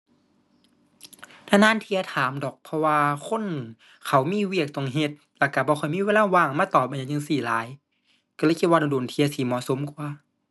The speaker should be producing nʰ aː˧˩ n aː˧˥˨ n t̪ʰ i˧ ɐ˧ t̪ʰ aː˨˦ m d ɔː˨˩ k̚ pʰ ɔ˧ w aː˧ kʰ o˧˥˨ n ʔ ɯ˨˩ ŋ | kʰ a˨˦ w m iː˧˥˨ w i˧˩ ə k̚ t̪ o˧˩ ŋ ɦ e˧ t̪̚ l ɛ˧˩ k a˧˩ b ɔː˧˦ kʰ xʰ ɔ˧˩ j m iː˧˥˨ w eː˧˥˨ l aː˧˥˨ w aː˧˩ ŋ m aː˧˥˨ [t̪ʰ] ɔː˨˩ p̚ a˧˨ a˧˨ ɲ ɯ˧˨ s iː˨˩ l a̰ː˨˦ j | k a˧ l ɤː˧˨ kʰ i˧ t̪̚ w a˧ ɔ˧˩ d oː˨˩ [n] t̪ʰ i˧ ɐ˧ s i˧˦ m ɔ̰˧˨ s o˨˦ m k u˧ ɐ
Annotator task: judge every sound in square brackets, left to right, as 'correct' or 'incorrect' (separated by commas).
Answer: incorrect, correct